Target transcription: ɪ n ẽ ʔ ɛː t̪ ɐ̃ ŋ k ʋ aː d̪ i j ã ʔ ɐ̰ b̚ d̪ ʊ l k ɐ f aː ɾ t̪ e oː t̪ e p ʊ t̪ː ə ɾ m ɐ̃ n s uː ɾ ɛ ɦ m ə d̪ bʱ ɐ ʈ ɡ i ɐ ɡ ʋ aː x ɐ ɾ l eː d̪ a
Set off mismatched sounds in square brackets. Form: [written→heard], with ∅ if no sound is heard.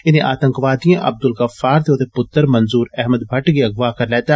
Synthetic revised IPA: ɪ n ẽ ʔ [ɛː→aː] t̪ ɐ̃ ŋ k ʋ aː d̪ i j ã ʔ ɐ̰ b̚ d̪ ʊ l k ɐ f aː ɾ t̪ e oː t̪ e p ʊ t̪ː ə ɾ m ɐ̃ n [s→z] uː ɾ ɛ ɦ m ə d̪ bʱ ɐ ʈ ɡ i ɐ ɡ ʋ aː [x→k] ɐ ɾ l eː [d̪→t̪] a